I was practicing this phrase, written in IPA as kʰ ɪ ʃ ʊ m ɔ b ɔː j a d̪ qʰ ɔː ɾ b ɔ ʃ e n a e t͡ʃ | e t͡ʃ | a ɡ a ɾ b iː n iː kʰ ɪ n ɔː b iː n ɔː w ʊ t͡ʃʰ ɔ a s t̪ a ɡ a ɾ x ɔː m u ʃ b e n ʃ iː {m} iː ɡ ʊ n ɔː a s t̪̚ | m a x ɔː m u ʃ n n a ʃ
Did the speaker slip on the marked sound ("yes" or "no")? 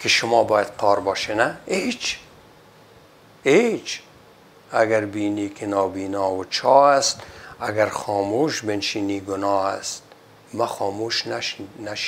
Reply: yes